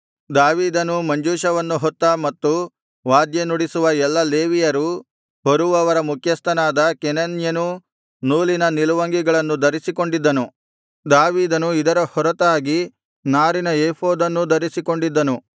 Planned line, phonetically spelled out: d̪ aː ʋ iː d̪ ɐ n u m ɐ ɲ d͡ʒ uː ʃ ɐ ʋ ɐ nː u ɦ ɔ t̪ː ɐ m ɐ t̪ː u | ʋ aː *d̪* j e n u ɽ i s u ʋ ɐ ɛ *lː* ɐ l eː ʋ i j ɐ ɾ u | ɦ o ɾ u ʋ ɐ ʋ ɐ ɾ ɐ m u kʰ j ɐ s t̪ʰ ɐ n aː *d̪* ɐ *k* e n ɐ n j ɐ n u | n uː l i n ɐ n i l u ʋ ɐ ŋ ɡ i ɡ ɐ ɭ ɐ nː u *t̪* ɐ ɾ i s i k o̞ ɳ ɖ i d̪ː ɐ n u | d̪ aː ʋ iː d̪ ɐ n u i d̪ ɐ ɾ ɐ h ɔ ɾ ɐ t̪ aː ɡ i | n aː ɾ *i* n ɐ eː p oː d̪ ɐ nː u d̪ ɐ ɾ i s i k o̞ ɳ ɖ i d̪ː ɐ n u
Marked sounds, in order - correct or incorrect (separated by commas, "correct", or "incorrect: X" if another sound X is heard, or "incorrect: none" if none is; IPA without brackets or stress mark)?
correct, correct, correct, correct, incorrect: d̪, correct